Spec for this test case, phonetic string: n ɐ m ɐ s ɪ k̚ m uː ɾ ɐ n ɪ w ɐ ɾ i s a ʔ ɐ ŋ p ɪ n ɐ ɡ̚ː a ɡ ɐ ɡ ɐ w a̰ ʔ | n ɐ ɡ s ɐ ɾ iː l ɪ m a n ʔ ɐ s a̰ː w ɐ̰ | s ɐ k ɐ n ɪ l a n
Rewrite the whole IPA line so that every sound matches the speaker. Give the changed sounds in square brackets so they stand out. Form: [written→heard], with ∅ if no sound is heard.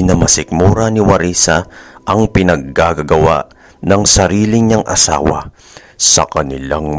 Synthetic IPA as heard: n ɐ m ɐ s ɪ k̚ m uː ɾ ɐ n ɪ w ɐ ɾ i s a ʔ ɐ ŋ p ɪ n ɐ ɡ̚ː a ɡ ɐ ɡ ɐ w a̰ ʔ | n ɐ [ɡ→ŋ] s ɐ ɾ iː l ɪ [m→ɲ] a [n→ŋ] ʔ ɐ s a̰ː w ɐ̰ | s ɐ k ɐ n ɪ l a [n→ŋ]